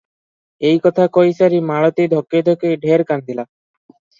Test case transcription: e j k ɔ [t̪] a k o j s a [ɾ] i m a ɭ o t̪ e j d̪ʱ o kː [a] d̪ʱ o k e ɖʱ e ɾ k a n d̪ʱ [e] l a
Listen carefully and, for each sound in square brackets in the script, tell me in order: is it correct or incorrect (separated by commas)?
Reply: incorrect, correct, incorrect, incorrect